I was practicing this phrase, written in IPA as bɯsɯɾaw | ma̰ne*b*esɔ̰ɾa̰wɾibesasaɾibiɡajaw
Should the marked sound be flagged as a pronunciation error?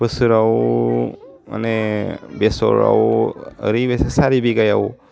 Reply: no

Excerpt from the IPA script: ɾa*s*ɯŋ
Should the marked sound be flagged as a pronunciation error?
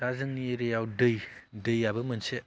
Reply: yes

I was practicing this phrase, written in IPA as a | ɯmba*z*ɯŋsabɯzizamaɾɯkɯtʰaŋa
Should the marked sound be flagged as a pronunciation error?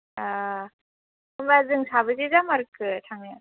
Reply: no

